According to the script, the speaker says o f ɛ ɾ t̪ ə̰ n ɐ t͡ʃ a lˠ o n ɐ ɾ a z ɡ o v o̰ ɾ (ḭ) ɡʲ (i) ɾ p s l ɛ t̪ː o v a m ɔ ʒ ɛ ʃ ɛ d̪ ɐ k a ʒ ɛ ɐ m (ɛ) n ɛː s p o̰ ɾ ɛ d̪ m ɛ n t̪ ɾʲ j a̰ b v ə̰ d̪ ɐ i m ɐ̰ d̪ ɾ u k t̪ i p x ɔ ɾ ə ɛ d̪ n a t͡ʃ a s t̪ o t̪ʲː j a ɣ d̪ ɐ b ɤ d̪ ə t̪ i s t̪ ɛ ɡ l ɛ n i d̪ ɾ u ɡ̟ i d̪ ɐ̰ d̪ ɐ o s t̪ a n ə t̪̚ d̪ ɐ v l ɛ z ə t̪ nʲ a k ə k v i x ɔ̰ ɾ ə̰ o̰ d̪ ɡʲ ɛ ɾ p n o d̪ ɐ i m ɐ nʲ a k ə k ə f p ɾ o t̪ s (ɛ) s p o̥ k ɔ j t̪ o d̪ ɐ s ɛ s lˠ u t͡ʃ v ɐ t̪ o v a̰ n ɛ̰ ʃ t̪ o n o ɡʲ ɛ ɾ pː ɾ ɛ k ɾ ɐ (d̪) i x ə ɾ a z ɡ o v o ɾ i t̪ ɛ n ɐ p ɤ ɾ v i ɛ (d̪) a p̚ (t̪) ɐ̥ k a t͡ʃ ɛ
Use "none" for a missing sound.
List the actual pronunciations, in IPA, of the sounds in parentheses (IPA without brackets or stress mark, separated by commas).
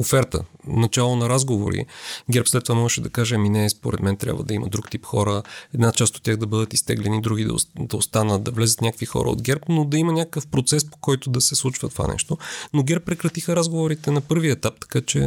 ḭ, ɛ, i, ɛ, t̪, t̪, t̪